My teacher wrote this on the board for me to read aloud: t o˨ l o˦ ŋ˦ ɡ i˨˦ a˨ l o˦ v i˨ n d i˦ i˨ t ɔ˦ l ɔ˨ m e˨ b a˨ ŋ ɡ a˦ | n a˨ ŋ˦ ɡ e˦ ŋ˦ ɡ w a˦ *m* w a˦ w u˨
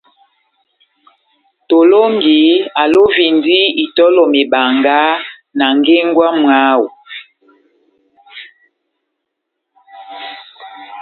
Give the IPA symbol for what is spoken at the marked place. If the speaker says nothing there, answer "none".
m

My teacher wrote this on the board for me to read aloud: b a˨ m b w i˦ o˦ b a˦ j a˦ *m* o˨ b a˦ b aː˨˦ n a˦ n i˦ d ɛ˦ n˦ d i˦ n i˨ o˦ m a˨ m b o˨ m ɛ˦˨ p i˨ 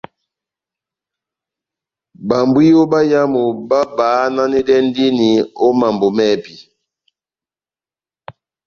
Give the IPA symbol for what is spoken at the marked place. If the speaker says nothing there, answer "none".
m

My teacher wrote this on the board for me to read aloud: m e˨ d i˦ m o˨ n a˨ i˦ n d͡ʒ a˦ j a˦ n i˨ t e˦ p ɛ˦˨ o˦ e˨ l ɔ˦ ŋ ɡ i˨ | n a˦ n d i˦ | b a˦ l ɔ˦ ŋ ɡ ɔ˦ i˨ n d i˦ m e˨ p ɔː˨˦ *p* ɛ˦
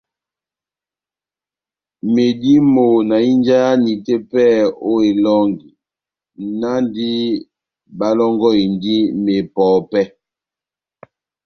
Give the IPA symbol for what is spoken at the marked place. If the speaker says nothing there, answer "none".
p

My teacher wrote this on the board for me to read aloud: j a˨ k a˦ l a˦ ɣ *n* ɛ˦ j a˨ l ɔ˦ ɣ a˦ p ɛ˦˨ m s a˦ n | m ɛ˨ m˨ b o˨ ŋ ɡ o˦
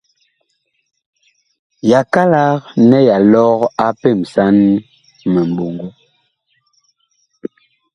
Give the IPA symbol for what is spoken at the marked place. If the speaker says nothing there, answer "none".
n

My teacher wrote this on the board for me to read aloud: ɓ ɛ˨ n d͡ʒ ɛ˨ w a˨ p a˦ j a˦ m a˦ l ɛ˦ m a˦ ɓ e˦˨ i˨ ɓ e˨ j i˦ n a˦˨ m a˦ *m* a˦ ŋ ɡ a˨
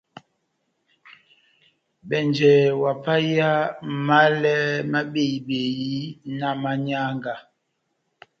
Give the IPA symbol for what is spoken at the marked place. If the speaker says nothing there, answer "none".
ɲ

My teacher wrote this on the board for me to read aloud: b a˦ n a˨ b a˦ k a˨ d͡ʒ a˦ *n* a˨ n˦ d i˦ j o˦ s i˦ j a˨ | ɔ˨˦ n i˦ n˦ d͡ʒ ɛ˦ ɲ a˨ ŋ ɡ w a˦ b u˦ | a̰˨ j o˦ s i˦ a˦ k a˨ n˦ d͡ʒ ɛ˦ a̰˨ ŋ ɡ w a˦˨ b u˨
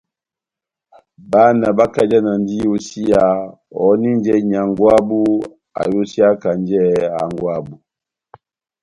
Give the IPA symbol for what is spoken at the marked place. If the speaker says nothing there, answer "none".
n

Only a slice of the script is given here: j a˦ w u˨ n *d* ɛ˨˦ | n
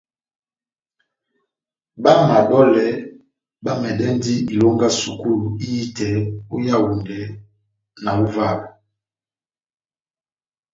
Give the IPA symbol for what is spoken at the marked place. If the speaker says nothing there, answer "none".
d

